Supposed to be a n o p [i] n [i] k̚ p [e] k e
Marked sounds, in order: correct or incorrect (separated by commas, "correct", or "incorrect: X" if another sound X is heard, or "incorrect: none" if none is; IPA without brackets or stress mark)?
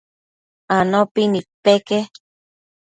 correct, correct, correct